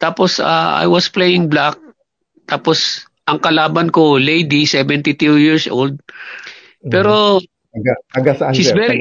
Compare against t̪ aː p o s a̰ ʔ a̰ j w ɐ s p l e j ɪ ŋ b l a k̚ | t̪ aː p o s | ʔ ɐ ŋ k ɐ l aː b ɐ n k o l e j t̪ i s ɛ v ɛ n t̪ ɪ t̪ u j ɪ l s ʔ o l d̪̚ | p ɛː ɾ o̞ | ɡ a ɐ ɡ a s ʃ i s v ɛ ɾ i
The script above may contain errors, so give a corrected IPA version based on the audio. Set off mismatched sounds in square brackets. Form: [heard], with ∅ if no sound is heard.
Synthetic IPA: t̪ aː p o s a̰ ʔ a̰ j w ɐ s p l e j ɪ ŋ b l a k̚ | t̪ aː p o s | ʔ ɐ ŋ k ɐ l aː b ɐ n k o l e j [d̪] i s ɛ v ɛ n t̪ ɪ t̪ u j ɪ [ɹ] s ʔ o l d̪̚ | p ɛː ɾ o̞ | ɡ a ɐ ɡ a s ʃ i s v ɛ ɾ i